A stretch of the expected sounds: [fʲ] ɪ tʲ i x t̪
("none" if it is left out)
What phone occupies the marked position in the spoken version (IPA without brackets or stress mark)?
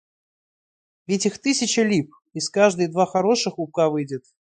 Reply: vʲ